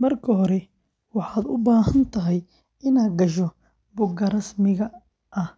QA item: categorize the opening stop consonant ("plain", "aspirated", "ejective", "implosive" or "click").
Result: aspirated